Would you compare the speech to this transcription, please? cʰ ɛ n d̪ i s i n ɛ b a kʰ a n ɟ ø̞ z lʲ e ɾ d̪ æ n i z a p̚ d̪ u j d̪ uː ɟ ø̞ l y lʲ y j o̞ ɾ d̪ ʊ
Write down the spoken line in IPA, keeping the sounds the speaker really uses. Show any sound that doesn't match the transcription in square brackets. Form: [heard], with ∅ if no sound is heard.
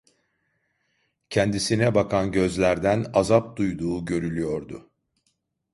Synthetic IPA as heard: cʰ ɛ n d̪ i s i n ɛ b a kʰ a n ɟ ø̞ z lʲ [æ] ɾ d̪ æ n [a] z a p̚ d̪ u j d̪ uː ɟ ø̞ [ɾ] y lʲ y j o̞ ɾ d̪ ʊ